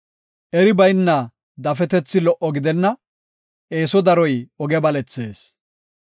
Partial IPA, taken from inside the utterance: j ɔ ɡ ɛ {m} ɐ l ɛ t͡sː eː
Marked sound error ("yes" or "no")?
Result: yes